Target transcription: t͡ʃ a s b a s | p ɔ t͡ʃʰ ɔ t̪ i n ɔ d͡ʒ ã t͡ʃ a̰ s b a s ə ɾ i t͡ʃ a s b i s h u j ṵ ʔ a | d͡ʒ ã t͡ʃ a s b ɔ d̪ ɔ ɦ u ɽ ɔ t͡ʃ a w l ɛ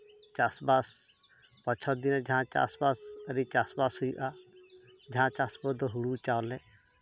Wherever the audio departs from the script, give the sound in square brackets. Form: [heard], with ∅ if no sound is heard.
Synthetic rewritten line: t͡ʃ a s b a s | p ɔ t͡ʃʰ ɔ [d̪] i n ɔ d͡ʒ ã t͡ʃ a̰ s b a s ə ɾ i t͡ʃ a s b [a] s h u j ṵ ʔ a | d͡ʒ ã t͡ʃ a s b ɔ d̪ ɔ ɦ u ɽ [u] t͡ʃ a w l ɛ